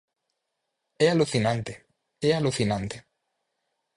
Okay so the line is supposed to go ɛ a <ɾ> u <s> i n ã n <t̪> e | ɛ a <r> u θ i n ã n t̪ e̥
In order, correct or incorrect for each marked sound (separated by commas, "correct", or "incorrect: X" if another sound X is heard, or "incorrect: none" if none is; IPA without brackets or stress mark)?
incorrect: l, incorrect: θ, correct, incorrect: l